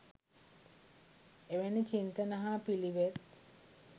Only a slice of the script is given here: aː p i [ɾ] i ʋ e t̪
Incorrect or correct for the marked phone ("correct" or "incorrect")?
incorrect